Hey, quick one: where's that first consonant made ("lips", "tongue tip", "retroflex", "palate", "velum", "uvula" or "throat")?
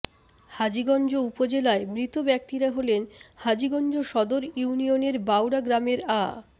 throat